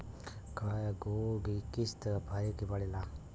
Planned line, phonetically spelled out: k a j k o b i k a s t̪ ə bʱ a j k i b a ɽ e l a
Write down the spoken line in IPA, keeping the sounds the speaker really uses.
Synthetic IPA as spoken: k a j ɡ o ɡ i k i s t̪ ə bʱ a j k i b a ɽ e l a